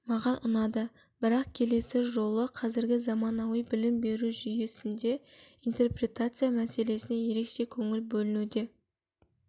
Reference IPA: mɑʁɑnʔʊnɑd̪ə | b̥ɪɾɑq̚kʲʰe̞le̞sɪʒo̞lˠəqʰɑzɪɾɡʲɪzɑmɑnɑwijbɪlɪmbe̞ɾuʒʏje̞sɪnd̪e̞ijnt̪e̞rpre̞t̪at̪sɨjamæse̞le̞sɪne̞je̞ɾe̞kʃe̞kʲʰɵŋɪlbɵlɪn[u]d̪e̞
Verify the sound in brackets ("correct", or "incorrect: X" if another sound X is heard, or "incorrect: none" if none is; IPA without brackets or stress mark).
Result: correct